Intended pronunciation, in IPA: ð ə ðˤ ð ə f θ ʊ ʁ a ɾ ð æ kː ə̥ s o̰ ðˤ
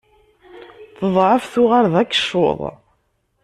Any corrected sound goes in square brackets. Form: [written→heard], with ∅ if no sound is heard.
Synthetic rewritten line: [ð→θ] ə ðˤ [ð→ʕ] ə f θ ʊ ʁ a ɾ ð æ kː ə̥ [s→ʃ] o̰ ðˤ